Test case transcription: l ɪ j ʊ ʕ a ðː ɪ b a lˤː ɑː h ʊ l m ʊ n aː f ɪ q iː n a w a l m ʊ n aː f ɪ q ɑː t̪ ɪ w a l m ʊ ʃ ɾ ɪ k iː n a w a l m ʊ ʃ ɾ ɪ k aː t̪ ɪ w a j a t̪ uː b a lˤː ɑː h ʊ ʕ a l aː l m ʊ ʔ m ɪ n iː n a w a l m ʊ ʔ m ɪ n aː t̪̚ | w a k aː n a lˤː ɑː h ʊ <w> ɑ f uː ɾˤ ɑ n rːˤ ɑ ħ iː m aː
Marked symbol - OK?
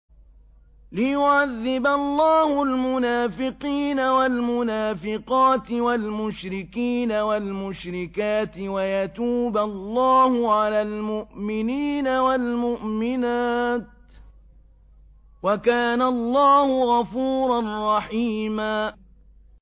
no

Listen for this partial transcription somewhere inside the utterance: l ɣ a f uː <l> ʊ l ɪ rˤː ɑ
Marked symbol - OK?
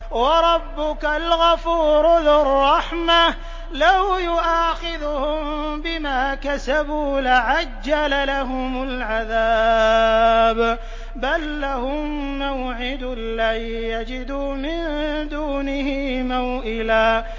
no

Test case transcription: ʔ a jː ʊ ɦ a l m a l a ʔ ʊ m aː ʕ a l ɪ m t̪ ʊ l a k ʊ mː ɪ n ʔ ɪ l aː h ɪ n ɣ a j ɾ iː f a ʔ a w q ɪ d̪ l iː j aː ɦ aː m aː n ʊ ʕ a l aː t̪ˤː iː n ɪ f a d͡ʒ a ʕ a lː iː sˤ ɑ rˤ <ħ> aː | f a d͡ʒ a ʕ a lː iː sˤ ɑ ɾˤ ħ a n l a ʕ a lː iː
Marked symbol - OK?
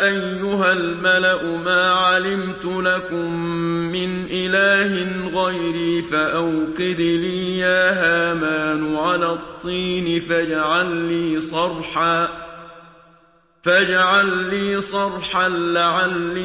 yes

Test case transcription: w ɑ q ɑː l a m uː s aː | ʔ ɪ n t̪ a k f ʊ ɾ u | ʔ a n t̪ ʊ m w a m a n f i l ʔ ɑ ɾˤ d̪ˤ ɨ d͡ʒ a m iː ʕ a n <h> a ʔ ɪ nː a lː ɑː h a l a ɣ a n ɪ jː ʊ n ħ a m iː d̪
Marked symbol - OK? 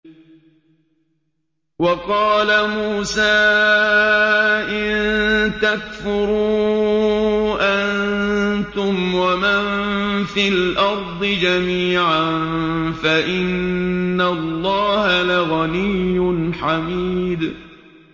no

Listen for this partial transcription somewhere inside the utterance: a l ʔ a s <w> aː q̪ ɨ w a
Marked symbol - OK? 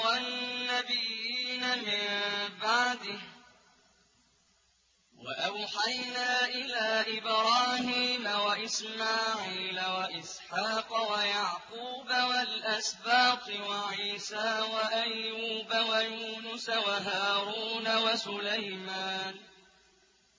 no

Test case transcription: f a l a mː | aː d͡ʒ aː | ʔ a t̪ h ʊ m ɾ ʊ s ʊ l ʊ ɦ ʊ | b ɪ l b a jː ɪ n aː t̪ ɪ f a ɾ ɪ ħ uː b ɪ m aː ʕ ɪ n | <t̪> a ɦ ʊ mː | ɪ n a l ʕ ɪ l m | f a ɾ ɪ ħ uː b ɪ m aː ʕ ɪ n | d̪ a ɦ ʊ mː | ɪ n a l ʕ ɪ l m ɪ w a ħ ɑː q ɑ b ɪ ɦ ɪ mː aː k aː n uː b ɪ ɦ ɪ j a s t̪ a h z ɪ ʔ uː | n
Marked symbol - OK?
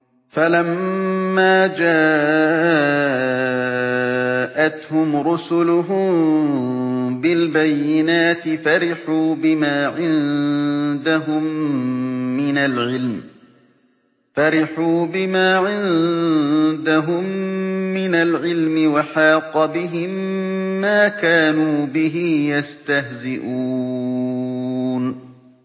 no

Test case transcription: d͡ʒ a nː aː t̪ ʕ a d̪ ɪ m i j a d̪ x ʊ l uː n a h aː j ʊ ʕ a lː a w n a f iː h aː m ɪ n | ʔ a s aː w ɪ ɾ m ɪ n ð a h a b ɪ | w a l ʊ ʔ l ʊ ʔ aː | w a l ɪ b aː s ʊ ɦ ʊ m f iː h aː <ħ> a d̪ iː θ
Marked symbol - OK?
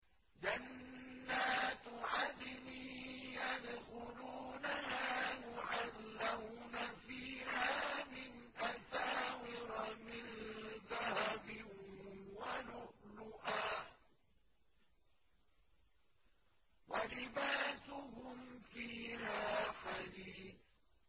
yes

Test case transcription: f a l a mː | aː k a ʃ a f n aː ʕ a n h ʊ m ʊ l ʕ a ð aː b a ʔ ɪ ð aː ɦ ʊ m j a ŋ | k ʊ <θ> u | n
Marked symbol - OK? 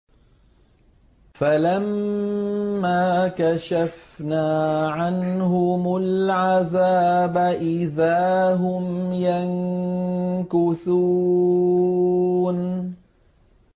yes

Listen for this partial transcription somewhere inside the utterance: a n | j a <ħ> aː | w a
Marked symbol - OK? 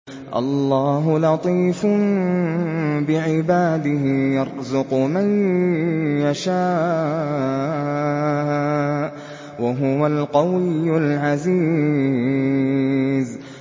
no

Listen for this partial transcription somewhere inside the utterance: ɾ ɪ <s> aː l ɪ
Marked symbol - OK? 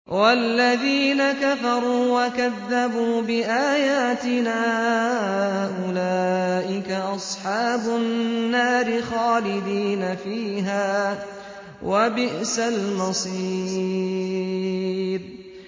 no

